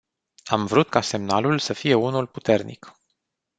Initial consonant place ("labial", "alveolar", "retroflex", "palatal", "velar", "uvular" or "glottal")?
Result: labial